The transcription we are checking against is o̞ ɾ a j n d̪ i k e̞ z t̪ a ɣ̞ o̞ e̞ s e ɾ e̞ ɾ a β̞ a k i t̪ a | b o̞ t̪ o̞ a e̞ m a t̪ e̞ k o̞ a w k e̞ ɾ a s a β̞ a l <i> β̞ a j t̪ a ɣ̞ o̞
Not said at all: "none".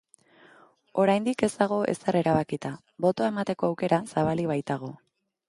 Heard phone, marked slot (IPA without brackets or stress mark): i